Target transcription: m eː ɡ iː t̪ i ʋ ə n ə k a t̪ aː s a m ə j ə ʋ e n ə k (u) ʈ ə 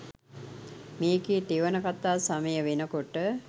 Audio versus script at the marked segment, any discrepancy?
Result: yes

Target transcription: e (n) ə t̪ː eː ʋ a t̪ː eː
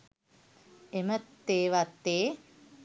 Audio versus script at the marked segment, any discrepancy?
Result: yes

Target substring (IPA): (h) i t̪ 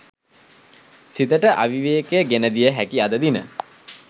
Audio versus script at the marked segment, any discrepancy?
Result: yes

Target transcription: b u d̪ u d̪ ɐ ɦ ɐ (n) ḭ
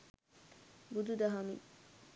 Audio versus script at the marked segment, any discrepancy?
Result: yes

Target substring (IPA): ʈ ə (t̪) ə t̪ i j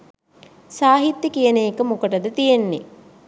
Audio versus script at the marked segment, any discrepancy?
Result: yes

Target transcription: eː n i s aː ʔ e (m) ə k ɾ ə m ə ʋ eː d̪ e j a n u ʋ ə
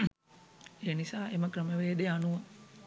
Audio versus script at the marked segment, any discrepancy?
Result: no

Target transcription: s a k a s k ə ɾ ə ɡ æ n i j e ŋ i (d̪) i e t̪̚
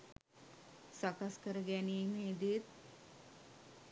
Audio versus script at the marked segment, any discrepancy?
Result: no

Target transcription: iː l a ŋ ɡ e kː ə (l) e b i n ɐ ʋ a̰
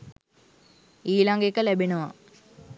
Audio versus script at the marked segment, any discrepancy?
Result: no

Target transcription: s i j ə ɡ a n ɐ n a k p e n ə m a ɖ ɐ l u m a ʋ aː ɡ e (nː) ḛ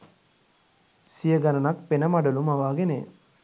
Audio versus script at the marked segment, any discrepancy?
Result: yes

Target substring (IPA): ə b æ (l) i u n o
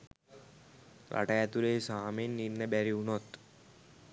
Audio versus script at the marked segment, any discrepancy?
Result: yes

